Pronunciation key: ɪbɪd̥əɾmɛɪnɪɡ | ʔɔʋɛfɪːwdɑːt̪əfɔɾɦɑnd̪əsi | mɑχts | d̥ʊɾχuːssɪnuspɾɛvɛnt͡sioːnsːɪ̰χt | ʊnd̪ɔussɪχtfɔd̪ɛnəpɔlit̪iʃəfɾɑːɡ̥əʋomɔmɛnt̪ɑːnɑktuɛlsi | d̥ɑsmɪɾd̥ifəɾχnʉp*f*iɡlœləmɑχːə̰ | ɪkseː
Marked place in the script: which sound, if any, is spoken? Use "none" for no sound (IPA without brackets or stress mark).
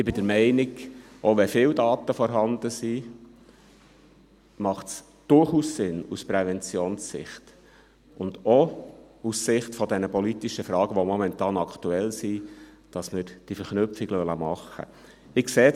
f